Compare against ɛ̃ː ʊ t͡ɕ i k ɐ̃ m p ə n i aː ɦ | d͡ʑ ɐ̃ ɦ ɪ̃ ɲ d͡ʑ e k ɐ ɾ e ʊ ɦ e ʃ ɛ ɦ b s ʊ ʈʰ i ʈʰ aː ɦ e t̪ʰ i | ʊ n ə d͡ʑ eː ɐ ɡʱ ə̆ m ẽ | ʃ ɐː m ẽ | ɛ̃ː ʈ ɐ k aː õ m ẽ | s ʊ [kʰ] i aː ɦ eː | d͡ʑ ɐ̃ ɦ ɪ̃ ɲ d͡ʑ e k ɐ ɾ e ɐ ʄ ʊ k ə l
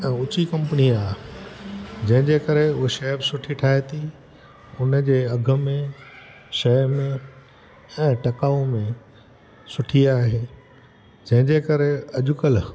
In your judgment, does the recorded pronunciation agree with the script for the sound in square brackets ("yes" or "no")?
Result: no